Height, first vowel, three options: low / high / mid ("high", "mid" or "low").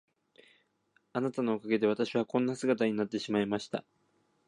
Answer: low